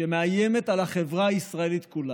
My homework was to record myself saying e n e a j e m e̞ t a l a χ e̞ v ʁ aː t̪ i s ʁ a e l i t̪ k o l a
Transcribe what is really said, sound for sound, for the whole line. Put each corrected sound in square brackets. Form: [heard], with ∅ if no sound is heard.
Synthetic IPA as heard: e [m] e a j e m e̞ t a l a χ e̞ v ʁ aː [∅] i s ʁ a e l i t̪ k [u] l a